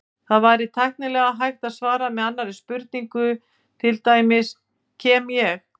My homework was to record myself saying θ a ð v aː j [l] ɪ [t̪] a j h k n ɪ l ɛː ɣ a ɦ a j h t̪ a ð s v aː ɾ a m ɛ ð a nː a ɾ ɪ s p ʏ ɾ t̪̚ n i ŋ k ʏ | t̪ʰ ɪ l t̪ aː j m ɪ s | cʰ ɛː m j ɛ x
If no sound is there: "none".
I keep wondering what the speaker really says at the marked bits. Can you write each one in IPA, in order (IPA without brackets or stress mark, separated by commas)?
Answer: ɾ, t̪ʰ